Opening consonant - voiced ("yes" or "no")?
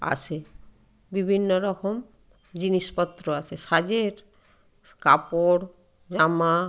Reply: no